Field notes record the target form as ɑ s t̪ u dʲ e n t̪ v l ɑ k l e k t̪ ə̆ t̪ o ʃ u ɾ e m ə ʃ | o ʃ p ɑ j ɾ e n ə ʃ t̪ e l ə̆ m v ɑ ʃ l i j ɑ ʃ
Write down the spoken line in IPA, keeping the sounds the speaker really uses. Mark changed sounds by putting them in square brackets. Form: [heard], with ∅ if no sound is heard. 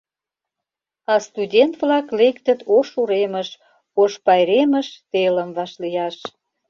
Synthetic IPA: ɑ s t̪ u dʲ e n t̪ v l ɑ k l e k t̪ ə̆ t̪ o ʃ u ɾ e m ə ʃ | o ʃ p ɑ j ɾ e [m] ə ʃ t̪ e l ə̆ m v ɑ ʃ l i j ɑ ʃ